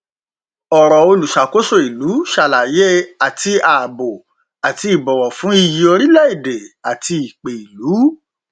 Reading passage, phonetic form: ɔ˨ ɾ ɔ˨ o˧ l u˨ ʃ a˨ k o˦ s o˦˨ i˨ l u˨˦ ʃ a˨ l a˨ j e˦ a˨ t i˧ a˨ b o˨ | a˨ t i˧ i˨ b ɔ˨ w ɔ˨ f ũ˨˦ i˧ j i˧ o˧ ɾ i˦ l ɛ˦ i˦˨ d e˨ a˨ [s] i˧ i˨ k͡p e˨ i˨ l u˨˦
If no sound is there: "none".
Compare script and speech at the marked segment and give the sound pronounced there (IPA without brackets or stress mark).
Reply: t